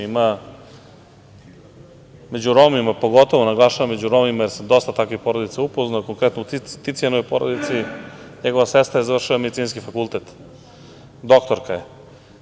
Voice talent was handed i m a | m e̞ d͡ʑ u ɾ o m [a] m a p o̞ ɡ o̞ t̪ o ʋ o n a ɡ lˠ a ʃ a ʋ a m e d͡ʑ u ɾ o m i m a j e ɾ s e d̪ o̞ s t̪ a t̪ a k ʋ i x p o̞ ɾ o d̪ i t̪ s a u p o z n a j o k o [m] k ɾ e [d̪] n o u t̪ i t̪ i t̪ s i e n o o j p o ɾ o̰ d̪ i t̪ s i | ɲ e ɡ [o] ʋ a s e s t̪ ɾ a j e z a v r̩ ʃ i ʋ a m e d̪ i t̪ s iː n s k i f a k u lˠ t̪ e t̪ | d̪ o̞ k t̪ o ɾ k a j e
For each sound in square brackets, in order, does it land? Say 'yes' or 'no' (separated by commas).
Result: no, no, no, yes